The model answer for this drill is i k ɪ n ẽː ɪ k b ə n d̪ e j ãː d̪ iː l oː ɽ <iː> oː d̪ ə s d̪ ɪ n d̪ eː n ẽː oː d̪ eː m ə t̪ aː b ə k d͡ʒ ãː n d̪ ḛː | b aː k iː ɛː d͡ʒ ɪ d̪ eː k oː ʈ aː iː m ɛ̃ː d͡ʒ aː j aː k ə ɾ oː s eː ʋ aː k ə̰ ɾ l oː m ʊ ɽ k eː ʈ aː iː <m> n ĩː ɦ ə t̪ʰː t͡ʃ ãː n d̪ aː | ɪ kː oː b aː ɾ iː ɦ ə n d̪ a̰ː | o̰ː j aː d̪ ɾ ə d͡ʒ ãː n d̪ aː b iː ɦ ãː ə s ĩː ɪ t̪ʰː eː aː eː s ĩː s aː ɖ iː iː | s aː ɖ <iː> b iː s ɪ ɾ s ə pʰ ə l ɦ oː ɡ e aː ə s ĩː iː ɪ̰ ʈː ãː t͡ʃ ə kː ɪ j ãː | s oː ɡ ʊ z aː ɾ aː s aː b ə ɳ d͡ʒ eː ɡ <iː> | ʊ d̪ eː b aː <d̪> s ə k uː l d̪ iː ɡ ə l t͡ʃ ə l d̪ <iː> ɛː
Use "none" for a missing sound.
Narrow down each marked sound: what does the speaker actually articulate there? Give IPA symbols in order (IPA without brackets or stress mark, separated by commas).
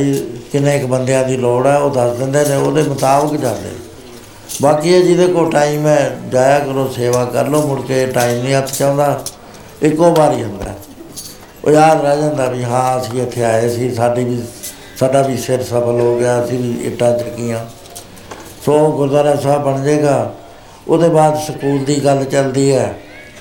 ɛː, m, aː, aː, d̪, iː